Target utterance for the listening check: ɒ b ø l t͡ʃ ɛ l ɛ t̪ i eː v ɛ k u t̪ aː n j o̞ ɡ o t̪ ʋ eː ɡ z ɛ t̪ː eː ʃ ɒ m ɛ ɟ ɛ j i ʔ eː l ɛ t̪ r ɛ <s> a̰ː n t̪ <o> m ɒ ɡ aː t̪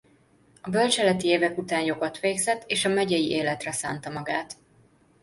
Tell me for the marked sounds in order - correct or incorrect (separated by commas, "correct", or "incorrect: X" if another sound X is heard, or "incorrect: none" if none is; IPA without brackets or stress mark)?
correct, incorrect: ɒ